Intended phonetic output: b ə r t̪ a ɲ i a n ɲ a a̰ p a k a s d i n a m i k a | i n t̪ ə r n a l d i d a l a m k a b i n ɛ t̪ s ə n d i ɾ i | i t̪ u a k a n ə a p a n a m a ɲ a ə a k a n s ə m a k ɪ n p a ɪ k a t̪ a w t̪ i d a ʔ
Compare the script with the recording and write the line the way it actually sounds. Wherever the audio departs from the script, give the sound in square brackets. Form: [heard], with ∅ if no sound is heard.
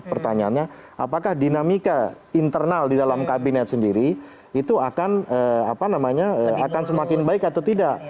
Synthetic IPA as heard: [p] ə r t̪ a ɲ [a] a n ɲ a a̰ p a k a [h] d i n a m i k a | i n t̪ ə r n a l d i d a l a m k a b i n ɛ t̪ s ə n d i ɾ i | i t̪ u a k a n ə a p a n a m a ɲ a ə a k a n s ə m a k ɪ n [b] a ɪ k a t̪ a w t̪ i d a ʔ